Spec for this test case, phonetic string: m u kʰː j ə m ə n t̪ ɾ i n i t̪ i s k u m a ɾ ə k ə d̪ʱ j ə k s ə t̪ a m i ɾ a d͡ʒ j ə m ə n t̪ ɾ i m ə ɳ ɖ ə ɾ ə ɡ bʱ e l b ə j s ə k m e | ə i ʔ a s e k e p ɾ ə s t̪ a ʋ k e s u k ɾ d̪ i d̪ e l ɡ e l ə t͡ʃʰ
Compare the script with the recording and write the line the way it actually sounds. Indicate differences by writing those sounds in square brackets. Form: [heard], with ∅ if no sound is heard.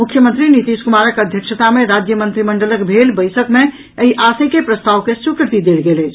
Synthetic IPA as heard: m u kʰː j ə m ə n t̪ ɾ i n i t̪ i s k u m a ɾ ə k ə d̪ʱ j ə k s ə t̪ a m [e] ɾ a d͡ʒ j ə m ə n t̪ ɾ i m ə ɳ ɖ ə [l] ə [k] bʱ e l b ə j s ə k m e | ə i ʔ a s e k e p ɾ ə s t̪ a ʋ k e s u k ɾ [t̪] i d̪ e l ɡ e l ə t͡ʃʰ